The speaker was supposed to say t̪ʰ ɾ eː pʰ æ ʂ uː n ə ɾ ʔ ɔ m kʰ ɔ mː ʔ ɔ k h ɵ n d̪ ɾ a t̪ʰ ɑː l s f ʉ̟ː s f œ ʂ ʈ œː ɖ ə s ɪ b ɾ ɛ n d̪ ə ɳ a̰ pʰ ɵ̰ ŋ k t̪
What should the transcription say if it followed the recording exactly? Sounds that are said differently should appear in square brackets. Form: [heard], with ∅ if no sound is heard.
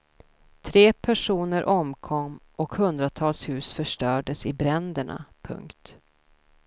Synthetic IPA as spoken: t̪ʰ ɾ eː pʰ æ ʂ uː n ə ɾ ʔ ɔ m kʰ ɔ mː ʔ ɔ k h ɵ n d̪ ɾ a t̪ʰ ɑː l s [h] ʉ̟ː s f œ ʂ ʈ œː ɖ ə s ɪ b ɾ ɛ n d̪ ə ɳ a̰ pʰ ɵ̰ ŋ k t̪